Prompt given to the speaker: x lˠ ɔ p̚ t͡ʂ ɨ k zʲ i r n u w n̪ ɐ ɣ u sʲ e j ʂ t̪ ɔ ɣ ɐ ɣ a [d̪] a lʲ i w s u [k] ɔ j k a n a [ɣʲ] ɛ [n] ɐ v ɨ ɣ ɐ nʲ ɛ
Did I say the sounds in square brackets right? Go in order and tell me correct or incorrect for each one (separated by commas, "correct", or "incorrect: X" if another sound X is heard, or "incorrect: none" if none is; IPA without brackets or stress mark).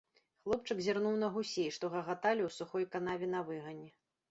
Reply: incorrect: t̪, incorrect: x, incorrect: vʲ, correct